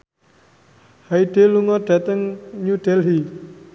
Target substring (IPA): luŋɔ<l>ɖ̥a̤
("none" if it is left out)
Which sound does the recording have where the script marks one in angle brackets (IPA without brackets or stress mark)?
none